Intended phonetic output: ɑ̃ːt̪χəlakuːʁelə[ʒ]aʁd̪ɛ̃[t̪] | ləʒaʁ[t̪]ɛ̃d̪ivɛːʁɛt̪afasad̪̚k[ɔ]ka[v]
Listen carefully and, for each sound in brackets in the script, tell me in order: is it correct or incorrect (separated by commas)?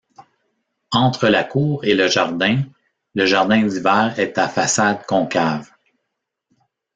correct, incorrect, incorrect, incorrect, correct